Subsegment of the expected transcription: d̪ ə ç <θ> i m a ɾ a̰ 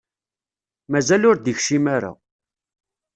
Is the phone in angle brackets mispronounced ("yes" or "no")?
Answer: yes